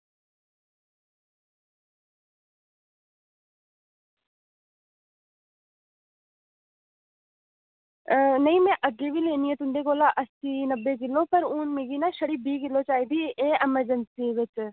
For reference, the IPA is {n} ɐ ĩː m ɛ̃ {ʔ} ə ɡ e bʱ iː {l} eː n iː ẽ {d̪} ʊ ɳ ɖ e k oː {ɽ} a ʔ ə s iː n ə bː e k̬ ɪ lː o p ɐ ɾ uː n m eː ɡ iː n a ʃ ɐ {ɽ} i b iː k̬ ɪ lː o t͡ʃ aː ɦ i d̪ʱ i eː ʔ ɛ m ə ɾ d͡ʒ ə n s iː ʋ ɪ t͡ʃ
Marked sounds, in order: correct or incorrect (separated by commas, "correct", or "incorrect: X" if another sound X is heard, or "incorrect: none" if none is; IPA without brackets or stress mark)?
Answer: correct, correct, correct, incorrect: t̪, incorrect: l, correct